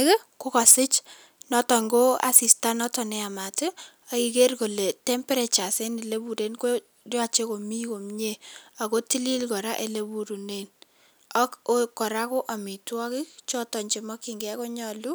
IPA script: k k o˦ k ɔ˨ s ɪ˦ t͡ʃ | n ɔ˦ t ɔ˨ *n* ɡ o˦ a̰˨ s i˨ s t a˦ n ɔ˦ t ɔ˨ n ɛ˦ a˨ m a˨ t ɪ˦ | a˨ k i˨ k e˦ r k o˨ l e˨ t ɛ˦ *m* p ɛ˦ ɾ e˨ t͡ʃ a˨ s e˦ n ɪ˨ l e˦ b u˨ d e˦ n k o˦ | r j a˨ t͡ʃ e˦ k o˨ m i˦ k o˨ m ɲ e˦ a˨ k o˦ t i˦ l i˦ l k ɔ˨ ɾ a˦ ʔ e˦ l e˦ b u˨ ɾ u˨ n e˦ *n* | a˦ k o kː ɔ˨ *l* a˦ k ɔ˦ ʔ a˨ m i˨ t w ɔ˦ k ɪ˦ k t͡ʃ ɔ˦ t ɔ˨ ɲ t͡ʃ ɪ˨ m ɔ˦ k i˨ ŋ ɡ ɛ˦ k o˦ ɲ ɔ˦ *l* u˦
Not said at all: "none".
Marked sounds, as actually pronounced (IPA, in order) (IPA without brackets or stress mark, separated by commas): ŋ, m, n, ɾ, l